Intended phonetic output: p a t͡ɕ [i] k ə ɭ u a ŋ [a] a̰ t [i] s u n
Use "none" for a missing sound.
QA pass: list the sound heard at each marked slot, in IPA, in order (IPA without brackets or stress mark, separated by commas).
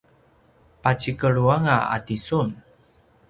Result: i, a, i